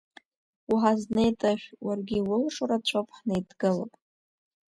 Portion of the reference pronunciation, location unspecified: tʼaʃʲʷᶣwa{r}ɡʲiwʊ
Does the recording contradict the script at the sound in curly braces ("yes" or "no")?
no